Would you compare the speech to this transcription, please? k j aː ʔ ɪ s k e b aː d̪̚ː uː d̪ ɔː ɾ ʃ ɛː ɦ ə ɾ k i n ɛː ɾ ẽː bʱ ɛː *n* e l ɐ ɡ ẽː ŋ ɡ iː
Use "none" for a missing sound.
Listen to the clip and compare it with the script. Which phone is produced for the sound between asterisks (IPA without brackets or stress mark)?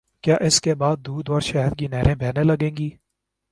n